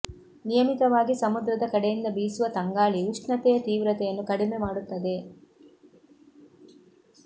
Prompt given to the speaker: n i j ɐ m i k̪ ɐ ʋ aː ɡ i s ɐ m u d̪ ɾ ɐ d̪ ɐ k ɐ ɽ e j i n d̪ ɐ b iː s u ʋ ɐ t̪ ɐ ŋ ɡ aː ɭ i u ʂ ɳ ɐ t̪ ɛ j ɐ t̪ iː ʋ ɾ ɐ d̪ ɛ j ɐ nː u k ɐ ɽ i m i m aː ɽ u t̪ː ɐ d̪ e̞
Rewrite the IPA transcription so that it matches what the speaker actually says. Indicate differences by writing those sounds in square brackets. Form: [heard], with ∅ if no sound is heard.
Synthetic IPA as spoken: n i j ɐ m i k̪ ɐ ʋ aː ɡ i s ɐ m u d̪ ɾ ɐ d̪ ɐ k ɐ ɽ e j i n d̪ ɐ b iː s u ʋ ɐ t̪ ɐ ŋ ɡ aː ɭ i u ʂ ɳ ɐ t̪ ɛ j ɐ t̪ iː ʋ ɾ ɐ [t̪] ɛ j ɐ nː u k ɐ ɽ i m [e] m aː ɽ u t̪ː ɐ d̪ e̞